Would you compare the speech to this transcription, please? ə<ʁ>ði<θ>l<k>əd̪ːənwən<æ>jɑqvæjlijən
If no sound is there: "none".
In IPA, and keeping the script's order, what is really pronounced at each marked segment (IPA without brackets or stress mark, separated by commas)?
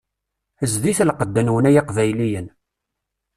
z, θ, q, æ